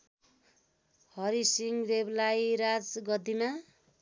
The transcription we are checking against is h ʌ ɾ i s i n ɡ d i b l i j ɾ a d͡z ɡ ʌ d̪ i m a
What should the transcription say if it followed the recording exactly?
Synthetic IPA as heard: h ʌ ɾ i s i ŋ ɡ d e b l a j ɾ a d͡z ɡ ʌ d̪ i m a